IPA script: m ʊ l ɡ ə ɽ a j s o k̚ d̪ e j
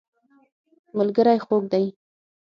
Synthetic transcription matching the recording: m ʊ l ɡ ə ɾ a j x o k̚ d̪ a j